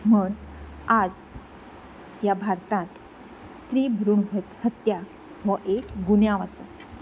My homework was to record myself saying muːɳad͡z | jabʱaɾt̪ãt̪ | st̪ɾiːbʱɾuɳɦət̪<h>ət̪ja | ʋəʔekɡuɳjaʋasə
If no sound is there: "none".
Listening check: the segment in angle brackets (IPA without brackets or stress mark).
h